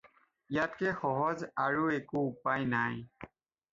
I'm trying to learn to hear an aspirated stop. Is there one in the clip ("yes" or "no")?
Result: no